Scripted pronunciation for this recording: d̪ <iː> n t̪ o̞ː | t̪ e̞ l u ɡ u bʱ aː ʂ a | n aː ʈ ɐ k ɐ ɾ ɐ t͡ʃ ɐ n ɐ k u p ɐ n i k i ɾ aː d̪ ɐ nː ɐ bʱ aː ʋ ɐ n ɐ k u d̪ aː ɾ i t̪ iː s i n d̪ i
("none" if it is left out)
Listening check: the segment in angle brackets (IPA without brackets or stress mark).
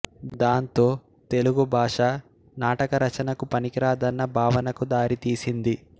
aː